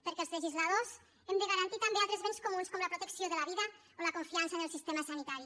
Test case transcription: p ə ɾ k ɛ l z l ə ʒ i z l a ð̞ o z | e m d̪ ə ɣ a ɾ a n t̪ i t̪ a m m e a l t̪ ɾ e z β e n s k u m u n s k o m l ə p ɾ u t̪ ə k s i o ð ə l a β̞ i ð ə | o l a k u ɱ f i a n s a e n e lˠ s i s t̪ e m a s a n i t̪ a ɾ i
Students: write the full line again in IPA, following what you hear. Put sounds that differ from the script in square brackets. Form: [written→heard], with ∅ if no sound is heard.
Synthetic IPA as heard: p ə ɾ k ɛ l z l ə ʒ i z l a ð̞ o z | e m d̪ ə ɣ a ɾ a n t̪ i t̪ a m [m→b] e a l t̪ ɾ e z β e n s k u m u n s k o m l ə p ɾ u t̪ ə k s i o ð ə l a β̞ i ð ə | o l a k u ɱ f i a n s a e n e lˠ s i s t̪ e m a s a n i t̪ a ɾ i